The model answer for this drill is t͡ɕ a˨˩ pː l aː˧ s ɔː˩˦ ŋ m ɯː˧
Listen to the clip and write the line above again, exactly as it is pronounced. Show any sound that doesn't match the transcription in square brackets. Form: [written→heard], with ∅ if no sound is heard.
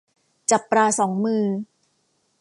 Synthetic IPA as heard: t͡ɕ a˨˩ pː [l→ɾ] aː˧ s ɔː˩˦ ŋ m ɯː˧